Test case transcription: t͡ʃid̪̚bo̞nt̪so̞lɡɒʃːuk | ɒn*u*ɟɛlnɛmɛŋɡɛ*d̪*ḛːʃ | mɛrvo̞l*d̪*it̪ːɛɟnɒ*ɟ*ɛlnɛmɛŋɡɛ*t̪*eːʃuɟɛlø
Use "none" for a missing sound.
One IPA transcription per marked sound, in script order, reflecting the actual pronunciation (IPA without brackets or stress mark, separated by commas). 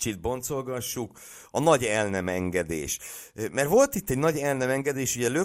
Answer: ɒ, d̪, t̪, ɟ, d̪